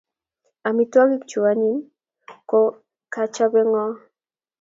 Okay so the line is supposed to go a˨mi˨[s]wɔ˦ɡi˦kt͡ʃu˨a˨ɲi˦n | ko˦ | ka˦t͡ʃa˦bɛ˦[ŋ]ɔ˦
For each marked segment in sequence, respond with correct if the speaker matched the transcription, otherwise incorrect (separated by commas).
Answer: incorrect, correct